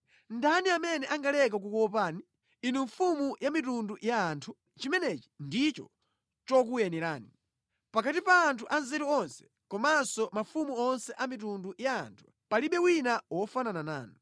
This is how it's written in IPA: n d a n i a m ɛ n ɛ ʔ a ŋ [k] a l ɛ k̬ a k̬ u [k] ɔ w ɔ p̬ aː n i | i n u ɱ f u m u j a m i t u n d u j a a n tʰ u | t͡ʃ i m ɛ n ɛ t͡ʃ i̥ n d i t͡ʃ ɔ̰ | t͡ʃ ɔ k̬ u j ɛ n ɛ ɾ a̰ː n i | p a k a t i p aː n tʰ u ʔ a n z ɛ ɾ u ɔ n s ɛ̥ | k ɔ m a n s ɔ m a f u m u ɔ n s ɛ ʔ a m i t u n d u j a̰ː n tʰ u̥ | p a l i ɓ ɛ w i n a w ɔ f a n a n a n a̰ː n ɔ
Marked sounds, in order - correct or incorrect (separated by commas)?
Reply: incorrect, correct